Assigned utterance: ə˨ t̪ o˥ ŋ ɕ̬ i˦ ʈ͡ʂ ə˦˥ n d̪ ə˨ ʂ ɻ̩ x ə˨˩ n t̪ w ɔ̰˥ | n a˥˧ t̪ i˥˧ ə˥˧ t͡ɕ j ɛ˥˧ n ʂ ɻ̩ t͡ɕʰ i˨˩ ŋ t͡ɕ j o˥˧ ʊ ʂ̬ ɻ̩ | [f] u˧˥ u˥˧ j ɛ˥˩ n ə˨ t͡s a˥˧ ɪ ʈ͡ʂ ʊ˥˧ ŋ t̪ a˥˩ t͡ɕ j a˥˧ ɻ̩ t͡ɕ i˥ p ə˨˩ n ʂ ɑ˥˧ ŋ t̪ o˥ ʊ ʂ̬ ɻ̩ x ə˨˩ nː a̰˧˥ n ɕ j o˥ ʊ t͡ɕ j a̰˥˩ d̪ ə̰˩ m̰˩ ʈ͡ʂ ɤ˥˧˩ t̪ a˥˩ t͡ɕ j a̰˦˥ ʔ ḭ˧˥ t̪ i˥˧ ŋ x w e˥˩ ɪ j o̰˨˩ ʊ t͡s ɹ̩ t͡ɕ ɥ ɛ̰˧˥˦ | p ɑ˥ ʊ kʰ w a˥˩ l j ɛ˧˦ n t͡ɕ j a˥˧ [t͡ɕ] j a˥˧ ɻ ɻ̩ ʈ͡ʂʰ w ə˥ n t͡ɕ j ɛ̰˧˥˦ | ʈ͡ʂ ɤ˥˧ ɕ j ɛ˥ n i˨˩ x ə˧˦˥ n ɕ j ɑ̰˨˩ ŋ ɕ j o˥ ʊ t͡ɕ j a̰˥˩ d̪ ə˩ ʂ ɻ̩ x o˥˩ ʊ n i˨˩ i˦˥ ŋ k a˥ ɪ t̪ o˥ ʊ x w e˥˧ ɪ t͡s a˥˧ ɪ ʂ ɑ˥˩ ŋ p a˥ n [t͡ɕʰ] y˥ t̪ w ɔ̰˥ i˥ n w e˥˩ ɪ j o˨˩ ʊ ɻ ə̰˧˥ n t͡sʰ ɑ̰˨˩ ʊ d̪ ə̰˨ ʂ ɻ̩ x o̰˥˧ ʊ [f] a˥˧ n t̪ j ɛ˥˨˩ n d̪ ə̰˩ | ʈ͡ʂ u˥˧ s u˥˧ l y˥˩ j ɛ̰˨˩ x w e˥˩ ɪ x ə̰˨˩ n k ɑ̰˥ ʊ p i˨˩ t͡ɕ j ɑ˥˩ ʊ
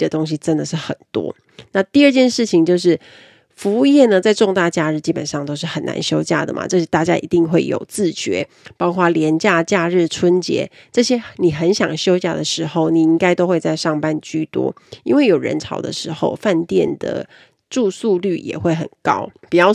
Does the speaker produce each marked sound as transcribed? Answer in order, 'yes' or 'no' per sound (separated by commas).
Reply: yes, yes, no, yes